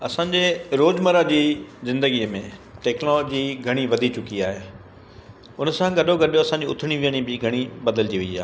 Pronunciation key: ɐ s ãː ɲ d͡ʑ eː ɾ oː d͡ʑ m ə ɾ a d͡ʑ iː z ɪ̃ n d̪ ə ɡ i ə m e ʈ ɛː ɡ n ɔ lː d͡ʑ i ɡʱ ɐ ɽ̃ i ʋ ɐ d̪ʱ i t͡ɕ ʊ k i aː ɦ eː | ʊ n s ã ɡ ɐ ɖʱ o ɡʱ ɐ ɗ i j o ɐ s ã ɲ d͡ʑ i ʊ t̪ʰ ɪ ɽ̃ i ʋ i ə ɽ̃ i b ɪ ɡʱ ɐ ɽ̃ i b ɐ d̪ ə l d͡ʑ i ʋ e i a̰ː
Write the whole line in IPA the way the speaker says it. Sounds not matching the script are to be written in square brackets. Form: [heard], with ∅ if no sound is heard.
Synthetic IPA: ɐ s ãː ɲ d͡ʑ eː ɾ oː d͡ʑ m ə ɾ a d͡ʑ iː z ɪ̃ n d̪ ə ɡ i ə m [ẽ] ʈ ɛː [k] n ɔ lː d͡ʑ i ɡʱ ɐ ɽ̃ i ʋ ɐ d̪ʱ i t͡ɕ ʊ k i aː ɦ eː | ʊ n s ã ɡ ɐ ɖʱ o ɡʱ ɐ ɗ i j o ɐ s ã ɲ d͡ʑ i ʊ t̪ʰ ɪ ɽ̃ i ʋ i ə ɽ̃ i b ɪ ɡʱ ɐ ɽ̃ i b ɐ d̪ ə l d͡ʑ i ʋ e i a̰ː

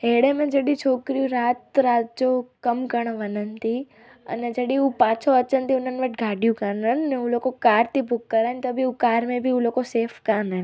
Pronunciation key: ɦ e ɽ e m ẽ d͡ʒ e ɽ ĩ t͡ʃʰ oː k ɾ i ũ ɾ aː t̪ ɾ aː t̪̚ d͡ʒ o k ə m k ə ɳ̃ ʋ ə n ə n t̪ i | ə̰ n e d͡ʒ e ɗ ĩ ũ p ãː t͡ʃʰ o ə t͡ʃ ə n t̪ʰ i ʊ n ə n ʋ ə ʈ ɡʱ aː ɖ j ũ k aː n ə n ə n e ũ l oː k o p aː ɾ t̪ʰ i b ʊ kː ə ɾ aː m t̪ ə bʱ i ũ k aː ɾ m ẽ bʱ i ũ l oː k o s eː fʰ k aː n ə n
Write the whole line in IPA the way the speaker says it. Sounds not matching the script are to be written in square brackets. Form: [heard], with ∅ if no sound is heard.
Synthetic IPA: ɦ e ɽ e m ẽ d͡ʒ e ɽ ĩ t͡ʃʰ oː k ɾ i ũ ɾ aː t̪ ɾ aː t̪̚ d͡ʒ o k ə m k ə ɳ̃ ʋ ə n ə n t̪ i | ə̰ n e d͡ʒ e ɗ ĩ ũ p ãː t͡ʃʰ o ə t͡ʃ ə n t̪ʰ i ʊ n ə n ʋ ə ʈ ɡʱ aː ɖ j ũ k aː n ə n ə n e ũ l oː k o [k] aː ɾ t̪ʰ i b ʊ kː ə ɾ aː [n] t̪ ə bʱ i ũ k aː ɾ m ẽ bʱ i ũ l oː k o s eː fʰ k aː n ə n

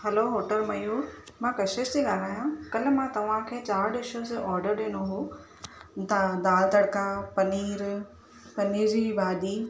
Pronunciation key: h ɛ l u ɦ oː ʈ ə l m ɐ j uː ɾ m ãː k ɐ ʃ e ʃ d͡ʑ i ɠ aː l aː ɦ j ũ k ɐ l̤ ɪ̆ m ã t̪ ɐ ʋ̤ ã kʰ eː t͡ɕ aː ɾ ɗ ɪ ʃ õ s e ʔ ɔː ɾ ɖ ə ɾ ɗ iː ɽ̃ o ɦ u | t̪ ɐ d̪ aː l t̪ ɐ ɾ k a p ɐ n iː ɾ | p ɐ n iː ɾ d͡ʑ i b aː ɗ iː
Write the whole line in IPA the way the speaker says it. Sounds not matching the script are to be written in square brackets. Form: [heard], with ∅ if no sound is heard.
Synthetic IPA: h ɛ l [o] ɦ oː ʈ ə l m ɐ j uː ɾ m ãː k ɐ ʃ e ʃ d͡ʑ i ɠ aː l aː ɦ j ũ k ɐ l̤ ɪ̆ m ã t̪ ɐ ʋ̤ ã kʰ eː t͡ɕ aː ɾ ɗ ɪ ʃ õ s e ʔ ɔː ɾ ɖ ə ɾ ɗ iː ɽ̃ o ɦ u | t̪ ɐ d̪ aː l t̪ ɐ [ɽ] k a p ɐ n iː ɾ | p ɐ n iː ɾ d͡ʑ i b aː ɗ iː

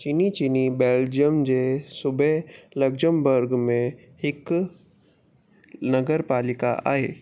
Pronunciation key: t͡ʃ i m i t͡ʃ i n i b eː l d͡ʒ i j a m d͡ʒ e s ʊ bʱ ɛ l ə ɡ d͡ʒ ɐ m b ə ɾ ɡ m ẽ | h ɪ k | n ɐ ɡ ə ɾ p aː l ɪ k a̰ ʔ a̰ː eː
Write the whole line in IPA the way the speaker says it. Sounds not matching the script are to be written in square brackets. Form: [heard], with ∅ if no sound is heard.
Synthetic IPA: t͡ʃ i [n] i t͡ʃ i n i b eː l d͡ʒ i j [ə] m d͡ʒ e s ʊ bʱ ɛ l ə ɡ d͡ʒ [ə] m b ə ɾ ɡ m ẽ | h ɪ k | n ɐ ɡ ə ɾ p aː l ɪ k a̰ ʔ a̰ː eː

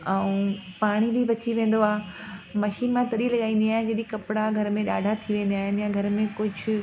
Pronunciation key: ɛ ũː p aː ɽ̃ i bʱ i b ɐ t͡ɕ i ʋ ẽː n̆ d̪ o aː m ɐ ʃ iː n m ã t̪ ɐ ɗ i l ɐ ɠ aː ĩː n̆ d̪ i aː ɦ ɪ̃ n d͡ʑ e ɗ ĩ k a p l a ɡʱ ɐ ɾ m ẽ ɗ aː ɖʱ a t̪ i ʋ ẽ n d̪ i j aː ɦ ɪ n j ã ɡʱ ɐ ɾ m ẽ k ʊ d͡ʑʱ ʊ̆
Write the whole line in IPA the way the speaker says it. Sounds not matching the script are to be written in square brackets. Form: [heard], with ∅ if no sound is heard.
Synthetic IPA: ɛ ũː p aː ɽ̃ i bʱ i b ɐ t͡ɕ i ʋ ẽː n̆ d̪ o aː m ɐ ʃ iː n m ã t̪ ɐ ɗ i l ɐ ɠ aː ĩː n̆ d̪ i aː ɦ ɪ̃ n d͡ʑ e ɗ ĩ k [ɐ] p [ɽ] a ɡʱ ɐ ɾ m ẽ ɗ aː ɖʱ a [t̪ʰ] i ʋ [ẽː] n d̪ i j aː ɦ ɪ n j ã ɡʱ ɐ ɾ m ẽ k ʊ d͡ʑʱ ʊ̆

